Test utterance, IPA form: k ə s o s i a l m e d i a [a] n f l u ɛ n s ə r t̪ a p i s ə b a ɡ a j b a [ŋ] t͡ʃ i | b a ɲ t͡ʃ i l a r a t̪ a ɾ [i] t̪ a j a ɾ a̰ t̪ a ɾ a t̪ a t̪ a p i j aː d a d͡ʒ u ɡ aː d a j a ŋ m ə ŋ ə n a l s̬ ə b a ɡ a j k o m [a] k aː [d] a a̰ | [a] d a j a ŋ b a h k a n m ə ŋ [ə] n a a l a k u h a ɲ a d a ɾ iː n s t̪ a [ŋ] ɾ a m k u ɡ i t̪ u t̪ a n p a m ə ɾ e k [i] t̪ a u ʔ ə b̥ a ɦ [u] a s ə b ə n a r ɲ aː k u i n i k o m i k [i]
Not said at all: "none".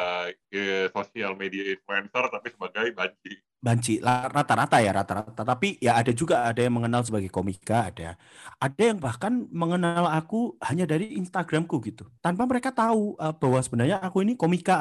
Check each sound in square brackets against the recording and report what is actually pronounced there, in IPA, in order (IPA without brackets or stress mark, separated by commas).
i, ɲ, a, i, d, a, ə, ɡ, a, w, a